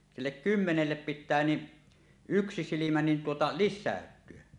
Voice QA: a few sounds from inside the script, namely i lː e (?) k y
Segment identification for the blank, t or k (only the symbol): k